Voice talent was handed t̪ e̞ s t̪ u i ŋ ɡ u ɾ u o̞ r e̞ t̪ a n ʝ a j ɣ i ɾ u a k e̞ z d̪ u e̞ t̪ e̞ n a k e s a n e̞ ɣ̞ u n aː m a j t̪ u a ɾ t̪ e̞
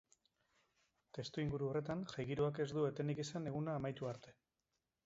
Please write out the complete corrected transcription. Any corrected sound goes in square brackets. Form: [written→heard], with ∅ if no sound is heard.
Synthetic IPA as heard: t̪ e̞ s t̪ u i ŋ ɡ u ɾ u o̞ r e̞ t̪ a n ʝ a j ɣ i ɾ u a k e̞ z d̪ u e̞ t̪ e̞ n [a→i] k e s a n e̞ ɣ̞ u n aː m a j t̪ u a ɾ t̪ e̞